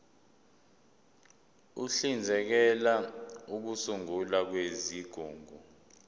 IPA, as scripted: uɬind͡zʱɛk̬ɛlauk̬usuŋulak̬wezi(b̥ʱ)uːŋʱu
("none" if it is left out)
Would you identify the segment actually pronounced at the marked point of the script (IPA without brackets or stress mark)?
ɡ̥ʱ